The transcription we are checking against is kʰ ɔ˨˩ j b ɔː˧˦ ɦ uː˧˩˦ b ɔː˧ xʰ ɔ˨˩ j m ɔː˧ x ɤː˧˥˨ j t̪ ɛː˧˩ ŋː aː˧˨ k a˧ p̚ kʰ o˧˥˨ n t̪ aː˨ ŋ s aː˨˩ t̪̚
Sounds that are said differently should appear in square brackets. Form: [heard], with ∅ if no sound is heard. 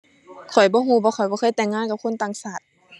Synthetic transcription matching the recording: kʰ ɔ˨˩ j b ɔː˧˦ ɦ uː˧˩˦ b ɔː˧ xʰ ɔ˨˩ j [b] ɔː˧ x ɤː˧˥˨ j t̪ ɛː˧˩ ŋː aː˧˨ k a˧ p̚ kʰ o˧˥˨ n t̪ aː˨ ŋ s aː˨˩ t̪̚

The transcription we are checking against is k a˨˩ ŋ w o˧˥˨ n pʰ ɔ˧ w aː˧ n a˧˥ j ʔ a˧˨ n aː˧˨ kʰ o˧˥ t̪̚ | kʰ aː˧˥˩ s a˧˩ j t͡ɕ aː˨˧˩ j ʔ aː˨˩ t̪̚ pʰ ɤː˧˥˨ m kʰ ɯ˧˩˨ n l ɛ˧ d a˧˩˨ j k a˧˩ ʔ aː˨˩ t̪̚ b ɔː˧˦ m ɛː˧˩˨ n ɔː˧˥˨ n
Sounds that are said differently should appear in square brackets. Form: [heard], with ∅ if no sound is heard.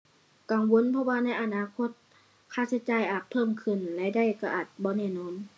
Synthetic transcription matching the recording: k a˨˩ ŋ w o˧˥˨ n pʰ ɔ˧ w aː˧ n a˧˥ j ʔ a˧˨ n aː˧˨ kʰ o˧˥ t̪̚ | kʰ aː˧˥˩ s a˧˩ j t͡ɕ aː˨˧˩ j ʔ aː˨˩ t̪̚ pʰ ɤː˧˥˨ m kʰ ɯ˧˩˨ n l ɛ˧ d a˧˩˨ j k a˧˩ ʔ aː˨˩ t̪̚ b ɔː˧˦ [n] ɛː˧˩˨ n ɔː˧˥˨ n

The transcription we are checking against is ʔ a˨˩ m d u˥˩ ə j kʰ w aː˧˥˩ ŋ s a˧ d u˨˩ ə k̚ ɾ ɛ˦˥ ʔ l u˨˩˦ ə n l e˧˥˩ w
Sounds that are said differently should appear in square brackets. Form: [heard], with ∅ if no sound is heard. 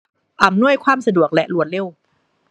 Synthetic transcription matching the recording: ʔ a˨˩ m [n] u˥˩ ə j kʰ w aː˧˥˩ [m] s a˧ d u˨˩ ə k̚ [l] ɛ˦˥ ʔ l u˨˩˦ ə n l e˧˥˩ w

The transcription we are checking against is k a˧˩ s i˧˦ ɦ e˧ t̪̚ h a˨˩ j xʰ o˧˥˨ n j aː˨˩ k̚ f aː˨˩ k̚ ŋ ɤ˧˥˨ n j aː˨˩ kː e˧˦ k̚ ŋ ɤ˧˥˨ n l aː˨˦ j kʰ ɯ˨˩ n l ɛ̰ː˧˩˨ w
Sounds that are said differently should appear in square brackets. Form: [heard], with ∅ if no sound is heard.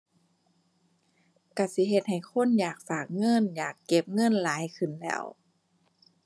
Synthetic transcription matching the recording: k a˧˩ s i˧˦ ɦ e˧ t̪̚ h a˨˩ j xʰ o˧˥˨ n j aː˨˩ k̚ f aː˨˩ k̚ ŋ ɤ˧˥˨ n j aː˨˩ kː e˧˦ [p̚] ŋ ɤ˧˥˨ n l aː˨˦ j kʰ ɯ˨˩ n l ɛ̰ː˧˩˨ w

